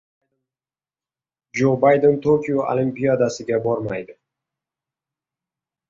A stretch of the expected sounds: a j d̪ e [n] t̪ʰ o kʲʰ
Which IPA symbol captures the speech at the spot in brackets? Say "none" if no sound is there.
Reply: n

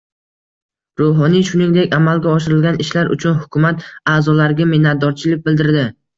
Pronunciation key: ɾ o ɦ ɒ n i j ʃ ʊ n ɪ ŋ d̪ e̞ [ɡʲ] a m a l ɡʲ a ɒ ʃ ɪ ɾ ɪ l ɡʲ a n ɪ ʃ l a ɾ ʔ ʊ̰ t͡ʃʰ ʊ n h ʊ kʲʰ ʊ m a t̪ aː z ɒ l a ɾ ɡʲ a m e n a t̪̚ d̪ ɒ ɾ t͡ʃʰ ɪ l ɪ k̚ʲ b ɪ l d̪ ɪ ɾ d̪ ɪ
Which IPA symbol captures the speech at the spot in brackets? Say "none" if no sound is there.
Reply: kʲ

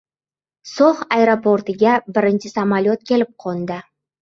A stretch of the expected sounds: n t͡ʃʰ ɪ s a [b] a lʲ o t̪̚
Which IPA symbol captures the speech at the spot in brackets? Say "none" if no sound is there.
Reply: m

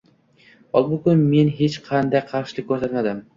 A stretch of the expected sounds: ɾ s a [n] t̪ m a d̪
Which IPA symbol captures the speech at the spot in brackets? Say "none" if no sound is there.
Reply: none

